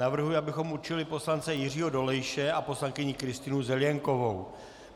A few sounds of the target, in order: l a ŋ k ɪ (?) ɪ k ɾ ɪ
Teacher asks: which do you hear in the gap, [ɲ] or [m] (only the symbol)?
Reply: ɲ